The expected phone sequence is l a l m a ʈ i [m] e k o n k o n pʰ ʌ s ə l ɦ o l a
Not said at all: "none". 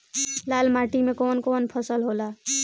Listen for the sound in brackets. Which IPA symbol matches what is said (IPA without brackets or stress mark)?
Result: m